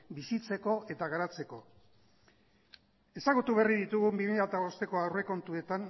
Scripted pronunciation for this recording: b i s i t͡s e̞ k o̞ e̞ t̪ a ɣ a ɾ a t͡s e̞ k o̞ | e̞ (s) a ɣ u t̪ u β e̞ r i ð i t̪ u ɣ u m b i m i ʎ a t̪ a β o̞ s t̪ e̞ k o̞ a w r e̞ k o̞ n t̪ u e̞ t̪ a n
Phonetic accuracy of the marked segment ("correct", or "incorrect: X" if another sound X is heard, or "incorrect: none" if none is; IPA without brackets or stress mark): correct